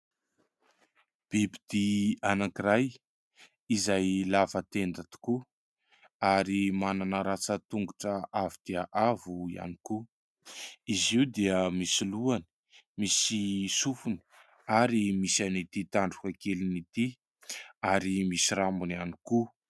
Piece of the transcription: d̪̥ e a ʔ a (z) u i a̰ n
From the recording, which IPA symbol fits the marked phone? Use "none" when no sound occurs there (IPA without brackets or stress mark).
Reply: v